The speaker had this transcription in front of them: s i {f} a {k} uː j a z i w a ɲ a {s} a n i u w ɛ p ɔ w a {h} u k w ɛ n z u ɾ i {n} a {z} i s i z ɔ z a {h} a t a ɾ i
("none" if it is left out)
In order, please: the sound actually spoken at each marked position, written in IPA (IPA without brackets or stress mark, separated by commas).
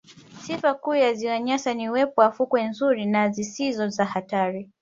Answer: f, k, s, f, n, z, h